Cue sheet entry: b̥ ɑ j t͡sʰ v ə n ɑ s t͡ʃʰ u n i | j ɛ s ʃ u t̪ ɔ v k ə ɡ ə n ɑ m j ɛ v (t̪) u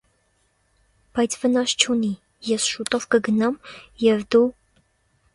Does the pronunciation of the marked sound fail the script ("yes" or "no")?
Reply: yes